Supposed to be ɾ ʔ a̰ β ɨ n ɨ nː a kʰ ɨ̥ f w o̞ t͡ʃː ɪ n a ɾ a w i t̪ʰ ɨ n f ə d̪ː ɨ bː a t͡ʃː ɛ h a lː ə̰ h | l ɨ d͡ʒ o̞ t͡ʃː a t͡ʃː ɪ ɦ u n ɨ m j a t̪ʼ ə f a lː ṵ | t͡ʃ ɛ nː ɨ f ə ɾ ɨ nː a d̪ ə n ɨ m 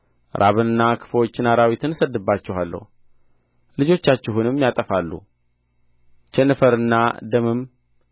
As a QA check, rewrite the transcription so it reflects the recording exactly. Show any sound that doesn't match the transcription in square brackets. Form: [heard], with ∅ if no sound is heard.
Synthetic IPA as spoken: ɾ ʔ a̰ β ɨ n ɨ nː a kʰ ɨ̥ f w o̞ t͡ʃː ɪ n a ɾ a w i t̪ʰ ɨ n [s] ə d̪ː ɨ bː a t͡ʃː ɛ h a lː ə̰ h | l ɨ d͡ʒ o̞ t͡ʃː a t͡ʃː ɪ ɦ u n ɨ m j a t̪ʼ ə f a lː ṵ | t͡ʃ ɛ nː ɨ f ə ɾ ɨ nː a d̪ ə [m] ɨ m